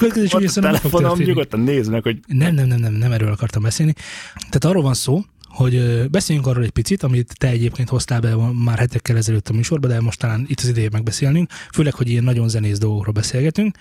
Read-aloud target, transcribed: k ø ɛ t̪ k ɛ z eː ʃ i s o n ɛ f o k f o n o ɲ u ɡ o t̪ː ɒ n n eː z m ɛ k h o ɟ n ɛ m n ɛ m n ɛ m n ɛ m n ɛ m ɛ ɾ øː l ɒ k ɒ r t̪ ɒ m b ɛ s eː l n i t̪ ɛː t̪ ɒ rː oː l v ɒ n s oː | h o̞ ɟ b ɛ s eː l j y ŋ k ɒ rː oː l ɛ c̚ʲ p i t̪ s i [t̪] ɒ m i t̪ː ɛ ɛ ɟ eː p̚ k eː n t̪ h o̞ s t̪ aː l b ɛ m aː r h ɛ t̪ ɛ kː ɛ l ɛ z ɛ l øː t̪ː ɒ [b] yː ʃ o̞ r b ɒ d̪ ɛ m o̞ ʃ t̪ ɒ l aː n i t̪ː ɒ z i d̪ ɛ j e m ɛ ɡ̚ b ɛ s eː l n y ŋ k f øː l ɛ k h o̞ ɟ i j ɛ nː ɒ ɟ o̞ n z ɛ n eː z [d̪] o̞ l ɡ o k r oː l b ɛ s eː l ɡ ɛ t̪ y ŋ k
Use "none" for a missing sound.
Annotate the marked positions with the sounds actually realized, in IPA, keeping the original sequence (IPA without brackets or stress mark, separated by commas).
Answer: t̪, m, d̪